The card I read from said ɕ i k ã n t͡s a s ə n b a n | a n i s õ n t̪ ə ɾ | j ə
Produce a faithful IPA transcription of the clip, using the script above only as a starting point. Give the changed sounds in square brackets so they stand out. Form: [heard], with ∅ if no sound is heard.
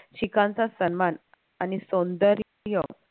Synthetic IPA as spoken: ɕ i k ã n t͡s a s ə n [m] a n | a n i s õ n [d̪] ə ɾ | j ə